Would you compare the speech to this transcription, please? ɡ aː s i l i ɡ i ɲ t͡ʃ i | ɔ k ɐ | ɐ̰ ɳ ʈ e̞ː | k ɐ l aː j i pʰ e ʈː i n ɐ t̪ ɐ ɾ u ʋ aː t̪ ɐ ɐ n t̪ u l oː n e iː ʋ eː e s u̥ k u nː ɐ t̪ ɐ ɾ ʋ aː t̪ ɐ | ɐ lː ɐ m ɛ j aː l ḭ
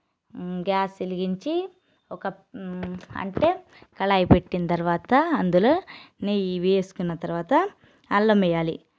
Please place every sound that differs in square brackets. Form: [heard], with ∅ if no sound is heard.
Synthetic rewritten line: ɡ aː s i l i ɡ i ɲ t͡ʃ i | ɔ k ɐ | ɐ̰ ɳ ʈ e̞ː | k ɐ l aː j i [p] e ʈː i n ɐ t̪ ɐ ɾ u ʋ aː t̪ ɐ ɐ n [d̪] u l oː n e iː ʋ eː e s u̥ k u nː ɐ t̪ ɐ ɾ ʋ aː t̪ ɐ | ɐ lː ɐ m ɛ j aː l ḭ